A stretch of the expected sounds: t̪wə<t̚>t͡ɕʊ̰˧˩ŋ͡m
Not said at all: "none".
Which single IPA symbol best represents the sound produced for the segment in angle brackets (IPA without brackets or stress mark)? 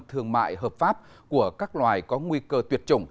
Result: t̚